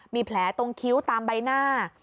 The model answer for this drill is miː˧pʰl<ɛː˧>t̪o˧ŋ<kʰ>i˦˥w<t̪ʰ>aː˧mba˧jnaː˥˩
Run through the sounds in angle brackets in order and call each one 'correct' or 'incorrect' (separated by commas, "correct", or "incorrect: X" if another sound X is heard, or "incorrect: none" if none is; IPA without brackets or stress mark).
incorrect: ɛː˩˦, correct, incorrect: t̪